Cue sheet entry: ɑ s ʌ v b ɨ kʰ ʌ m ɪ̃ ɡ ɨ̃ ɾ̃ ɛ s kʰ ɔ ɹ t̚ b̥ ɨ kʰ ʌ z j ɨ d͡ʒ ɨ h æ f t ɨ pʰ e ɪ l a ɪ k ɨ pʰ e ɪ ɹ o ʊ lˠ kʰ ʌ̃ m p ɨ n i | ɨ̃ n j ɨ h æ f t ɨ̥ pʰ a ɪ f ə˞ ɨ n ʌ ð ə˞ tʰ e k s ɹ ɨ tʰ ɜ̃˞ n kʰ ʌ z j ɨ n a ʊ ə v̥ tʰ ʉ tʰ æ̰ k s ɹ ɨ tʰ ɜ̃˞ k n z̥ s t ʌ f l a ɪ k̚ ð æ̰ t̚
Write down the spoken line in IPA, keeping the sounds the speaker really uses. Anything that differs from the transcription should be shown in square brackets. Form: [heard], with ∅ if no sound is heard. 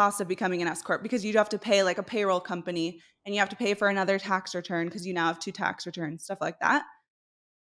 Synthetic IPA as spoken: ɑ s ʌ v b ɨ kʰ ʌ m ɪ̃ [ŋ] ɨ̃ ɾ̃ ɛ s kʰ ɔ ɹ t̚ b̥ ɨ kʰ ʌ z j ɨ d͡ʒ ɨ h æ f t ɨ pʰ e ɪ l a ɪ k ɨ pʰ e ɪ ɹ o ʊ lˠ kʰ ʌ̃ m p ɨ n i | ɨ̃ n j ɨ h æ f t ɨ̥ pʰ [e] ɪ f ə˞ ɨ n ʌ ð ə˞ tʰ [æ] k s ɹ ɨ tʰ ɜ̃˞ n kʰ ʌ z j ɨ n a ʊ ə v̥ tʰ ʉ tʰ æ̰ k s ɹ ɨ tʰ ɜ̃˞ [∅] n z̥ s t ʌ f l a ɪ k̚ ð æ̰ t̚